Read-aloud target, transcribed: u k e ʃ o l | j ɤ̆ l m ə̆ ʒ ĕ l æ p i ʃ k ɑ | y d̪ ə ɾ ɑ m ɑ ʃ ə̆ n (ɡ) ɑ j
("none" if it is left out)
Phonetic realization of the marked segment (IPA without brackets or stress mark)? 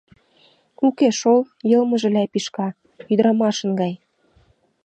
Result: ɡ